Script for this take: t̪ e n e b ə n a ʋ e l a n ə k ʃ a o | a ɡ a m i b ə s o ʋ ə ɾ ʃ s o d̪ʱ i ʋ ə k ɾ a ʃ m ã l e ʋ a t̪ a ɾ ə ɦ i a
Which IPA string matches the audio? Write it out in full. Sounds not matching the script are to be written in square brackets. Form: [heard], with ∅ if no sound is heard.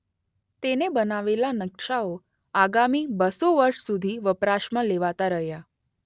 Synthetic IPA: t̪ e n e b ə n a ʋ e l a n ə k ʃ a o | a ɡ a m i b ə s o ʋ ə ɾ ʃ s [u] d̪ʱ i ʋ ə [p] ɾ a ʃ m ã l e ʋ a t̪ a ɾ ə ɦ [j] a